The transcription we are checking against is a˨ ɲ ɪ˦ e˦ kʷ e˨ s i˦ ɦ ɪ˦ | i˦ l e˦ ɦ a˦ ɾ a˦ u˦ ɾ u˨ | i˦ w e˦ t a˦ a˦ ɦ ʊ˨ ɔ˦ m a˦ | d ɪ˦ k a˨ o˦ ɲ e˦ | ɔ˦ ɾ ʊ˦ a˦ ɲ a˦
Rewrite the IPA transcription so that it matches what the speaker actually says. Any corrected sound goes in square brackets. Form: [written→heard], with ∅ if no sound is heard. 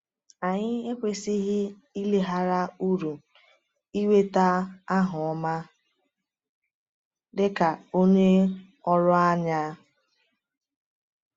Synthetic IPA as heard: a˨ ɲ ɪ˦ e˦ kʷ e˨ s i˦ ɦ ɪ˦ | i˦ l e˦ ɦ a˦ ɾ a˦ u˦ ɾ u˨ | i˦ w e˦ t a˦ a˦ ɦ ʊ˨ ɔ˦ m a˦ | d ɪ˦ k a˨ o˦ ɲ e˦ | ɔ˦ ɾ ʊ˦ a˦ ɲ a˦